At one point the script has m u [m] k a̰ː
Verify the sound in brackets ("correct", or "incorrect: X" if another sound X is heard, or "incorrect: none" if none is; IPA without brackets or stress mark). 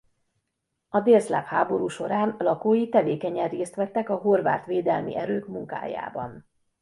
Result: incorrect: ŋ